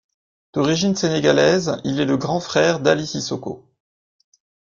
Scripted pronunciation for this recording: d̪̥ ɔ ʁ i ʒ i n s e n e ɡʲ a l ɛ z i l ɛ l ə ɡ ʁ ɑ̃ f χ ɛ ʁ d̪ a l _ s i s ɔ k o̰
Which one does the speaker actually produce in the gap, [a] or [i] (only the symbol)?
i